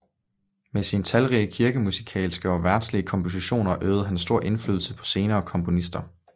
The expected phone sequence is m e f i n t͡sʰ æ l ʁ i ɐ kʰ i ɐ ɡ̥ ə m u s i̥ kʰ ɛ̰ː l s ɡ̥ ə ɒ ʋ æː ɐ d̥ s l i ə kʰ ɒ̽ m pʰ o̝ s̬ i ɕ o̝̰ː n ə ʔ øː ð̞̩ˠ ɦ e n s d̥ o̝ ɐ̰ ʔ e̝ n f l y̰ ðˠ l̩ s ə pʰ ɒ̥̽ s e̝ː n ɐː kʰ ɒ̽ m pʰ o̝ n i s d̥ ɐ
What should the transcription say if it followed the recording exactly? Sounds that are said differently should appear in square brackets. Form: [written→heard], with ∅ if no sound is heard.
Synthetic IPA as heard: m e [f→s] i n t͡sʰ æ l ʁ i [ɐ→ə] kʰ i ɐ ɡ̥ ə m u s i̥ kʰ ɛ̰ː l s ɡ̥ ə ɒ ʋ [æː→æ] ɐ d̥ s l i ə kʰ ɒ̽ m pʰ o̝ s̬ i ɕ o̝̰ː n [ə→ɐ] ʔ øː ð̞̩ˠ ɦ [e→æ] n s d̥ o̝ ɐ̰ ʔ e̝ n f l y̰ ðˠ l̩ s ə pʰ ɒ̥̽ s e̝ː n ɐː kʰ ɒ̽ m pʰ o̝ n i s d̥ ɐ